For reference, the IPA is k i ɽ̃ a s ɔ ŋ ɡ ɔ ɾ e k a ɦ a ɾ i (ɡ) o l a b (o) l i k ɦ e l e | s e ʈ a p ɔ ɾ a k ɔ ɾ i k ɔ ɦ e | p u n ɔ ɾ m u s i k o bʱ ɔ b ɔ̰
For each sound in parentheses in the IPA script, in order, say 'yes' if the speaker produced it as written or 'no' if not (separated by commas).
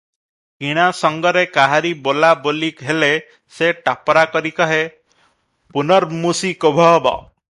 no, yes